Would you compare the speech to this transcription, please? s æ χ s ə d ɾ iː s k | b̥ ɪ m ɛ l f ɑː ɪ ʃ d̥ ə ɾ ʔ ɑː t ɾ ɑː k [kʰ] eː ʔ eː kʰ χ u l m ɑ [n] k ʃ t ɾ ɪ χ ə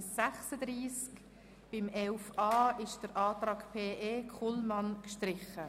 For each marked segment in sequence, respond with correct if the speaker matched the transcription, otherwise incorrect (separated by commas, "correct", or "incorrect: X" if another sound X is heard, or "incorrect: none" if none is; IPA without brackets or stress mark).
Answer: incorrect: pʰ, correct